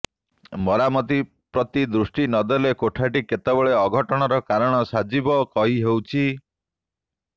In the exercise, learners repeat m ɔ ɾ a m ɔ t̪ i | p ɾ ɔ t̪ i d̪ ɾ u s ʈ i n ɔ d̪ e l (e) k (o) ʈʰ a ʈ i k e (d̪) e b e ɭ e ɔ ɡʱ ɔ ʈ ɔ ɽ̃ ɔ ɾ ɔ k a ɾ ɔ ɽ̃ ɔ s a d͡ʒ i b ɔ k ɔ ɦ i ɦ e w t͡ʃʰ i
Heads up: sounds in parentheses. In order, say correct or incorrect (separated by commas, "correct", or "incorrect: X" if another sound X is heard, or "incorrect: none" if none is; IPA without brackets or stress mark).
correct, correct, incorrect: t̪